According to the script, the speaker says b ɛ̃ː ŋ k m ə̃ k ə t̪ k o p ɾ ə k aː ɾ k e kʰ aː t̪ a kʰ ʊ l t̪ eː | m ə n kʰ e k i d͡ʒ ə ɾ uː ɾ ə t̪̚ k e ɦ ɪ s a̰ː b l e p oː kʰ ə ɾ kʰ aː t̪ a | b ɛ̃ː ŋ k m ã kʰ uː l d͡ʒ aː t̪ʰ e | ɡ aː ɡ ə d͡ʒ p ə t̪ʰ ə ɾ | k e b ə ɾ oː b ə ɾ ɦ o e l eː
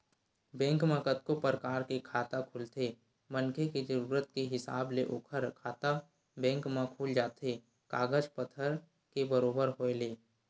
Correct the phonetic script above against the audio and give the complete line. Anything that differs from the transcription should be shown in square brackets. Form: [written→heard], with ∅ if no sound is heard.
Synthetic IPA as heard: b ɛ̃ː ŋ k m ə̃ k ə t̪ k o p ɾ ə k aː ɾ k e kʰ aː t̪ a kʰ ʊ l t̪ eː | m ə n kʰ e k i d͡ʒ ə ɾ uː ɾ ə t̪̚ k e ɦ ɪ s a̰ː b l e [p→ʔ] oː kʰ ə ɾ kʰ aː t̪ a | b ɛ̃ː ŋ k m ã kʰ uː l d͡ʒ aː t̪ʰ e | [ɡ→k] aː ɡ ə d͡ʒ p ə t̪ʰ ə ɾ | k e b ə ɾ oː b ə ɾ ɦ o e l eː